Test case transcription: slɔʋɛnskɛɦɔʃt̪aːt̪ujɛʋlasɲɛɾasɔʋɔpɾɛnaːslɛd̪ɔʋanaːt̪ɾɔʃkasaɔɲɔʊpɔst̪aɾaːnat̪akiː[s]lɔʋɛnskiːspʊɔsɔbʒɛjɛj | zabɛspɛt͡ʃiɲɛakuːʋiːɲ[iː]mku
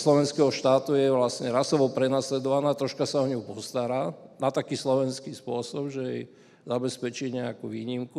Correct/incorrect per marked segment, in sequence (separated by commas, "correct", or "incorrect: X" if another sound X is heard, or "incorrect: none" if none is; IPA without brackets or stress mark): correct, incorrect: i